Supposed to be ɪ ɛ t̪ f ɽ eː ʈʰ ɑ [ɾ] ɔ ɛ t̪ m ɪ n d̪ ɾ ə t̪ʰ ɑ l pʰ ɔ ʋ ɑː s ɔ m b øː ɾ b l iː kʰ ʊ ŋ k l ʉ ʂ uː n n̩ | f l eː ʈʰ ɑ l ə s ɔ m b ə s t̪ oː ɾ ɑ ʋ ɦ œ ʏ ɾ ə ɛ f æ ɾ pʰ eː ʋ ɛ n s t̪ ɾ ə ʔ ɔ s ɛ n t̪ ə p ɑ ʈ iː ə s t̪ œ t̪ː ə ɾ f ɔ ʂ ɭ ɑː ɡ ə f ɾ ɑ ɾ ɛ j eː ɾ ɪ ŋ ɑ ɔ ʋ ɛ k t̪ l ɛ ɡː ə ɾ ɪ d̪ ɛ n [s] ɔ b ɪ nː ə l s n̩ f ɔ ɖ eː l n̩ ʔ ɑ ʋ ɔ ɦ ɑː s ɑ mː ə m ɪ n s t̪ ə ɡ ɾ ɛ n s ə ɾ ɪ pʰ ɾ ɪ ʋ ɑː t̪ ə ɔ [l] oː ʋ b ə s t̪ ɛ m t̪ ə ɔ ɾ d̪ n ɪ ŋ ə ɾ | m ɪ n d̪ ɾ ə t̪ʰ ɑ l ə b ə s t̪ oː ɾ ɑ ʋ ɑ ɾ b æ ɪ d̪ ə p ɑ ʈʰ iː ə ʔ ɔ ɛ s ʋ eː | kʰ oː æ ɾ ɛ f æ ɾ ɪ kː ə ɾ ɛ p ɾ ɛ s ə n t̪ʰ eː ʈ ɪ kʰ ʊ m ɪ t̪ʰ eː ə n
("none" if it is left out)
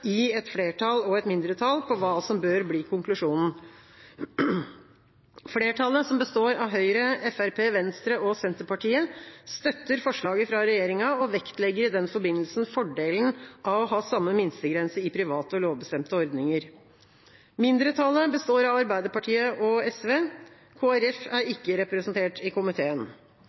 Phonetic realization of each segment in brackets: l, f, l

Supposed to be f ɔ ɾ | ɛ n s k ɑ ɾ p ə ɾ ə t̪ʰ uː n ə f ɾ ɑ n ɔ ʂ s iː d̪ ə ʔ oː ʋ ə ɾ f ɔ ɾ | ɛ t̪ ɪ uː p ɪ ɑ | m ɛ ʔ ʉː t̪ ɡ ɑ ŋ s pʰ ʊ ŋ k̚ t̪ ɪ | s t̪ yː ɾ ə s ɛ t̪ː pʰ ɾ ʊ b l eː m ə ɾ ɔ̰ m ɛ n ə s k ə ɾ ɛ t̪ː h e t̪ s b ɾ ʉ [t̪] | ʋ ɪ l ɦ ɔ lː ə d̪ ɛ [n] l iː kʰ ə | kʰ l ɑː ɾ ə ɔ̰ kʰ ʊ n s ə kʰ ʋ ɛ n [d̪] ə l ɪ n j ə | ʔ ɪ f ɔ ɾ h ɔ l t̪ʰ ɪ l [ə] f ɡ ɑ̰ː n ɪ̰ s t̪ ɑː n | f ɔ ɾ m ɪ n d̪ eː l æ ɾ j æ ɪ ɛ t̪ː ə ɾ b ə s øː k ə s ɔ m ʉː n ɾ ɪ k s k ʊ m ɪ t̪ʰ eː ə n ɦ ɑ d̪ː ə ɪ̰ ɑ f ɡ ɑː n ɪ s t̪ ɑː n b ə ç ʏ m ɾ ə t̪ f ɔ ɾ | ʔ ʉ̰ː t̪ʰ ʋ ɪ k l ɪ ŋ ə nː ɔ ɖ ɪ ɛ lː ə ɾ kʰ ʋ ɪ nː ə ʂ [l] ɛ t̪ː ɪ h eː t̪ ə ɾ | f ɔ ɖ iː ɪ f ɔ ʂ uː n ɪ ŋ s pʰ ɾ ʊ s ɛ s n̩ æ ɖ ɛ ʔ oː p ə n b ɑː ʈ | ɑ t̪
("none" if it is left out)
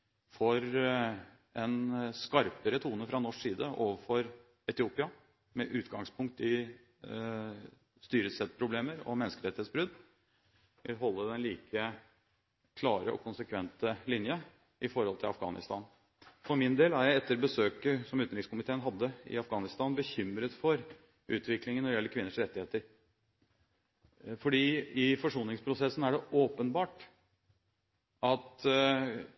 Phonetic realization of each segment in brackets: d̪, n, t̪, ɑ, ɾ

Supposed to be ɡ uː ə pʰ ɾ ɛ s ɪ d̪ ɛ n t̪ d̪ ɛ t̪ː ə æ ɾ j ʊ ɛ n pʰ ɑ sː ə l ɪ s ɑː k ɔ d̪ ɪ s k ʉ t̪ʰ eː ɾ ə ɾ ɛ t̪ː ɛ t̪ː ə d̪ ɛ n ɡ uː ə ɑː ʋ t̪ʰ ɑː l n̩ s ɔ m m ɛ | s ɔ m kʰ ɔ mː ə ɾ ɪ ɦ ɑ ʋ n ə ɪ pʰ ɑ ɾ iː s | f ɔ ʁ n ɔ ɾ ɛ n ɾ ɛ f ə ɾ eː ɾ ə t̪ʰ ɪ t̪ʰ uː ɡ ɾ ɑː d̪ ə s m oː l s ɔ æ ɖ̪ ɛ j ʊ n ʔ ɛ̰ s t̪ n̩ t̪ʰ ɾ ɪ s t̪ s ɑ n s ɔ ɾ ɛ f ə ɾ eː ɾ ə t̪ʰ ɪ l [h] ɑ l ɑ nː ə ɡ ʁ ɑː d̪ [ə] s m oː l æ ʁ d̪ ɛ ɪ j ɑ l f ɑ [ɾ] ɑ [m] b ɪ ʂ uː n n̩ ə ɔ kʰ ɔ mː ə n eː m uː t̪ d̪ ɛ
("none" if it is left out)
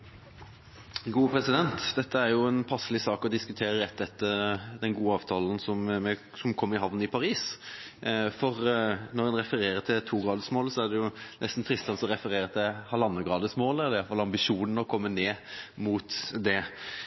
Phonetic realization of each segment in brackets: h, ə, l, m

